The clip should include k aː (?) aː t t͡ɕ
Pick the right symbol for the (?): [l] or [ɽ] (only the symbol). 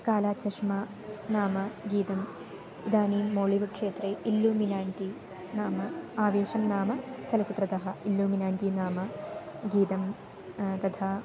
l